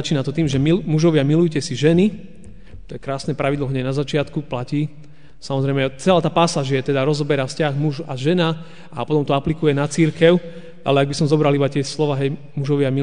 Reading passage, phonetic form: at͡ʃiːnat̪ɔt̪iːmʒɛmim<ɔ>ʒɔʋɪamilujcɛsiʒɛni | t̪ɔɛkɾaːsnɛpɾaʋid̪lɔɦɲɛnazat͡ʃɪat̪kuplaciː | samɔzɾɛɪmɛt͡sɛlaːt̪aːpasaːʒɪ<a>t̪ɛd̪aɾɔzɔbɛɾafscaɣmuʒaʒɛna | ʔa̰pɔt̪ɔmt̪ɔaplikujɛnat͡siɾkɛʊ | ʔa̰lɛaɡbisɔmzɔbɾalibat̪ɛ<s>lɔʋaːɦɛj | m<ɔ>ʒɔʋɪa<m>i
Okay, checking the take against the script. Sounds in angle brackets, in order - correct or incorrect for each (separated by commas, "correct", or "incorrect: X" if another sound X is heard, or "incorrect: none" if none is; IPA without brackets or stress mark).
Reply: incorrect: u, incorrect: ɛ, correct, incorrect: u, correct